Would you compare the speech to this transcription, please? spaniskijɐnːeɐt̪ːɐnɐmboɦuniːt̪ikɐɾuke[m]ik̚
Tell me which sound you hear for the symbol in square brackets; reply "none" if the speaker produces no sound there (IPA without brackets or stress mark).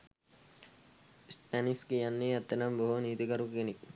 n